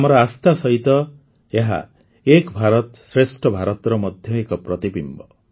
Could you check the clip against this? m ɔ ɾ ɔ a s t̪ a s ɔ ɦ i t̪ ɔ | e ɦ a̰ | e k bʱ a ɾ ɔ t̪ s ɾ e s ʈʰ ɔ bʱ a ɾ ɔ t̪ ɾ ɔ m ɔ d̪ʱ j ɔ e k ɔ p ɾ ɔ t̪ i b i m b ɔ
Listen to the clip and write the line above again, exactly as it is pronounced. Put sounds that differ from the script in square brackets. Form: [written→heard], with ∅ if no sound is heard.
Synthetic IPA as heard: m ɔ ɾ ɔ a s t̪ a s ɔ ɦ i t̪ ɔ | e ɦ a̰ | e k bʱ a ɾ ɔ t̪ s ɾ e s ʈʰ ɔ bʱ a ɾ ɔ t̪ ɾ ɔ m ɔ d̪ʱ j ɔ e k ɔ p ɾ ɔ t̪ i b i m b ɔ